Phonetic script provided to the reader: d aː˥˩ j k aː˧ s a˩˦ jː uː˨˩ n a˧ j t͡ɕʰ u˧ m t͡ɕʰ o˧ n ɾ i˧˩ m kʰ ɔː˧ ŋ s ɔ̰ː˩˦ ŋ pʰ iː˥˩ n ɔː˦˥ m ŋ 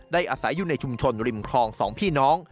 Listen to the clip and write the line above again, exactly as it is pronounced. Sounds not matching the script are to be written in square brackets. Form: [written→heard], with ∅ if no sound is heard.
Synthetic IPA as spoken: d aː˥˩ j [k→ʔ] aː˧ s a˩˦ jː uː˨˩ n a˧ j t͡ɕʰ u˧ m t͡ɕʰ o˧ n ɾ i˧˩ m kʰ ɔː˧ ŋ s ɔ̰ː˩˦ ŋ pʰ iː˥˩ n ɔː˦˥ [m→∅] ŋ